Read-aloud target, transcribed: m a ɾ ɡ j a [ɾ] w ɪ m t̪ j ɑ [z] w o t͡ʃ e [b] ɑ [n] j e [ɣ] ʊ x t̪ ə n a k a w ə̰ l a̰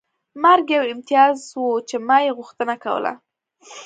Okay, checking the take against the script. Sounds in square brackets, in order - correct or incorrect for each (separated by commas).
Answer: incorrect, correct, incorrect, incorrect, correct